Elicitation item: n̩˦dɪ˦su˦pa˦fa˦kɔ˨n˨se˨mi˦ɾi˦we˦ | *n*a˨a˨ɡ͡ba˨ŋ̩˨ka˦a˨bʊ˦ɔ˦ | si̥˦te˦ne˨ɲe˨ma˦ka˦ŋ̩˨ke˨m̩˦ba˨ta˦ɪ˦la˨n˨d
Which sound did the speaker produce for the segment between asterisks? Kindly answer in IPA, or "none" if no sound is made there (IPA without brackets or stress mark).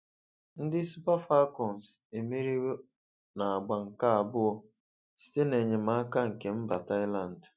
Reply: n